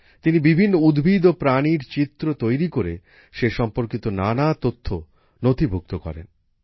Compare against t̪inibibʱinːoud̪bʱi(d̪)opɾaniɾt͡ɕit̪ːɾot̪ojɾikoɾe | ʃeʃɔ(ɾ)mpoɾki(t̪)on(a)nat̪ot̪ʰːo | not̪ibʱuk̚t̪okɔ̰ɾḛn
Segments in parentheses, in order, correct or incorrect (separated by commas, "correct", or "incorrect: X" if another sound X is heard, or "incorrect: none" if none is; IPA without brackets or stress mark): correct, incorrect: none, correct, correct